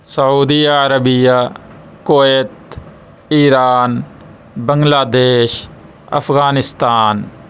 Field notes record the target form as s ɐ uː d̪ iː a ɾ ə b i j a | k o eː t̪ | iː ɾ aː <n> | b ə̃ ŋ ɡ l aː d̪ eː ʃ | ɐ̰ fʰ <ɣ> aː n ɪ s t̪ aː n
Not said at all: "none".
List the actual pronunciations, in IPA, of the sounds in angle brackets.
n, ɣ

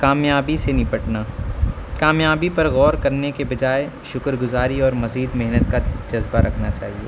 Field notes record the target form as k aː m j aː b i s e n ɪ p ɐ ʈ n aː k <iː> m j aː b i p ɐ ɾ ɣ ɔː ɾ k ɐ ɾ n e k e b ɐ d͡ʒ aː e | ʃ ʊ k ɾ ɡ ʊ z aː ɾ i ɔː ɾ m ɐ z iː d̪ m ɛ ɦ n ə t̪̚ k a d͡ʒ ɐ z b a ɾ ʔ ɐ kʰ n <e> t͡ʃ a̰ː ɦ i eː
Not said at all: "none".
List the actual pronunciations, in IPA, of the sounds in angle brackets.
aː, a

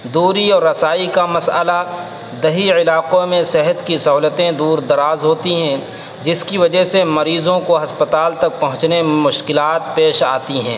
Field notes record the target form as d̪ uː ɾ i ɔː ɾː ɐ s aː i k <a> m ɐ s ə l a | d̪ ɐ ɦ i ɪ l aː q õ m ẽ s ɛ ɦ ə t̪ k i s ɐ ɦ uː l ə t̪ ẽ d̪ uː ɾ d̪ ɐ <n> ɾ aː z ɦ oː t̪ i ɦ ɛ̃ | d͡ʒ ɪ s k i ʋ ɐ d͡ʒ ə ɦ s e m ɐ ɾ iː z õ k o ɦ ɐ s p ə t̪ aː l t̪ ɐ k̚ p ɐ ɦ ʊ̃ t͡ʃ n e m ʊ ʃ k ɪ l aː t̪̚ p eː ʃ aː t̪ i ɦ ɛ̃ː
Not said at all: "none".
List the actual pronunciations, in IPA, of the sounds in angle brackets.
a, none

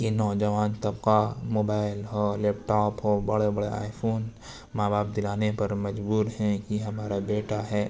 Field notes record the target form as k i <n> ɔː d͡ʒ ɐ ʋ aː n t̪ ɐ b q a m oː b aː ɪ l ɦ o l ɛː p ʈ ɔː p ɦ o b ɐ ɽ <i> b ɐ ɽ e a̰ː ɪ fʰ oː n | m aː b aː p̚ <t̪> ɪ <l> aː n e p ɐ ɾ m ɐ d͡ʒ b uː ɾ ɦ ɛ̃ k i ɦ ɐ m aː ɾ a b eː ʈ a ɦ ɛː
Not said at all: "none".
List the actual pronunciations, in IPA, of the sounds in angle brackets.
n, e, d̪, l

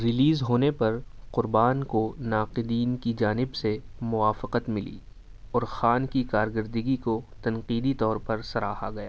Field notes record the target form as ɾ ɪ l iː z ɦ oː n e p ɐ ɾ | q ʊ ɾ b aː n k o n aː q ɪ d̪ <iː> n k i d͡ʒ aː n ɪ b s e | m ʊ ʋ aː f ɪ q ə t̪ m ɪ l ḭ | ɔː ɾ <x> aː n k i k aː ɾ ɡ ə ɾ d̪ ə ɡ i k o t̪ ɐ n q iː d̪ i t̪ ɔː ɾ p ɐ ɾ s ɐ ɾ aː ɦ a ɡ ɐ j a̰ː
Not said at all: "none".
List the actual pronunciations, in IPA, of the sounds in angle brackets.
iː, x

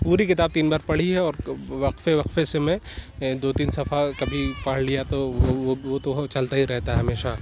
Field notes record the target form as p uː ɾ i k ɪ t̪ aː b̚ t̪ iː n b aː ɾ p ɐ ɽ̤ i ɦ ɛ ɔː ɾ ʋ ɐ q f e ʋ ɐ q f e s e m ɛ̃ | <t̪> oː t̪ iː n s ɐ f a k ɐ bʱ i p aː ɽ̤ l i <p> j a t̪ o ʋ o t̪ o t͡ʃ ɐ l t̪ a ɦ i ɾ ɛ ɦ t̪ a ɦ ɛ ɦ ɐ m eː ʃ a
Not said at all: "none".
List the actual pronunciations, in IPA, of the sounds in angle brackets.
d̪, none

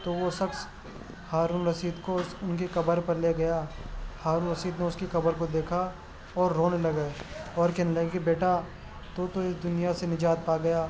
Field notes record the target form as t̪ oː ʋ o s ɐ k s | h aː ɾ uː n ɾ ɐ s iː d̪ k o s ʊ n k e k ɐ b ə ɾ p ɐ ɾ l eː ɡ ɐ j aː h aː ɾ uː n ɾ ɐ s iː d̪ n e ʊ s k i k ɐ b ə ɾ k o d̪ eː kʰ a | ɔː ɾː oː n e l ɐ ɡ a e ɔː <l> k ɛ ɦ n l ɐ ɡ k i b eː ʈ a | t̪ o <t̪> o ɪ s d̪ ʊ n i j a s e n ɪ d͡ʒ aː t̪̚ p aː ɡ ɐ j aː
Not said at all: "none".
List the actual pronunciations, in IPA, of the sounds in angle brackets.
ɾ, t̪

